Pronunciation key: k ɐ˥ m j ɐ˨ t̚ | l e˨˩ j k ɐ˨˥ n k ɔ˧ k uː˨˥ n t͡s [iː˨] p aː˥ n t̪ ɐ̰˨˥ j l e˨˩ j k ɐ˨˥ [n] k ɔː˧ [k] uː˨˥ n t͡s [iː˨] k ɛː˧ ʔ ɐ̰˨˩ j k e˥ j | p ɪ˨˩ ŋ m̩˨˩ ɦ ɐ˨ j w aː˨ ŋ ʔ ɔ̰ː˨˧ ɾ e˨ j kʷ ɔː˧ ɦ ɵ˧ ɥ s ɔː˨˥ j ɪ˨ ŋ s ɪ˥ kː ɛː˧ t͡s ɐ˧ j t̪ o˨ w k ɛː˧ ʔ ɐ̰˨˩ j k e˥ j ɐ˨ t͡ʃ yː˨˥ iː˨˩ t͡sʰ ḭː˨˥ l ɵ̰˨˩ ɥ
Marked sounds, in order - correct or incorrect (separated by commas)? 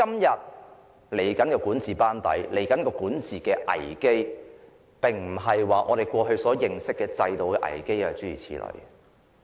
correct, correct, correct, correct